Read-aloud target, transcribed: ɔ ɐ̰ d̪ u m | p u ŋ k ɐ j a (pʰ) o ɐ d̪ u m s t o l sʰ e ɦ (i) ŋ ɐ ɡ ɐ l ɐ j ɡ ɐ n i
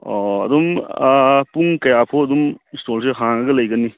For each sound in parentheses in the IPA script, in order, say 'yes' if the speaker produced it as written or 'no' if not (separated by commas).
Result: yes, no